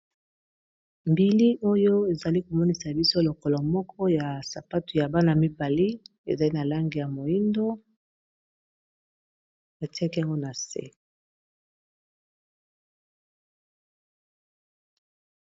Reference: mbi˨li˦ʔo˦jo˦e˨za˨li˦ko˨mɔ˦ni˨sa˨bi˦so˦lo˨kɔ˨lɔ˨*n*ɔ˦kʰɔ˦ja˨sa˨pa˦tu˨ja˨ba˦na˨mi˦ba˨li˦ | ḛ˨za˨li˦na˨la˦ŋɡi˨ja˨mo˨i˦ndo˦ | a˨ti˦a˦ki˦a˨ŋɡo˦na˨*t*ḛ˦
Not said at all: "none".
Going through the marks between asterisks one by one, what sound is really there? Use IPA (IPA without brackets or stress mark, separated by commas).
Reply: m, s